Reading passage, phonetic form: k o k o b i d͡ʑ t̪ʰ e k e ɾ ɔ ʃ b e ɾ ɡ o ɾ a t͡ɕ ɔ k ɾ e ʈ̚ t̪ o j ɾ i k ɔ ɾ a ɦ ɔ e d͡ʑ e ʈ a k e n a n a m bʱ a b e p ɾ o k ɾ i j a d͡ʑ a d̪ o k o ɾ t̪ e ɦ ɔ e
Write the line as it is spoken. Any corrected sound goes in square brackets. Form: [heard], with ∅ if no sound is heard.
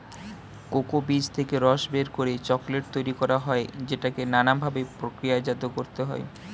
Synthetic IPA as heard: k o k o b i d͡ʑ t̪ʰ e k e ɾ ɔ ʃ b e ɾ [k] o ɾ [e] t͡ɕ ɔ k [l] e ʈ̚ t̪ o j ɾ i k ɔ ɾ a ɦ ɔ e d͡ʑ e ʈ a k e n a n a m bʱ a b e p ɾ o k ɾ i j a d͡ʑ a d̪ o k o ɾ t̪ e ɦ ɔ e